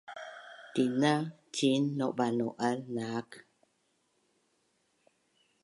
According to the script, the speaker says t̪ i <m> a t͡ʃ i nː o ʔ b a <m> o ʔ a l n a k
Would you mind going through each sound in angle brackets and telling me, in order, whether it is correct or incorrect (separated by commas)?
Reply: incorrect, incorrect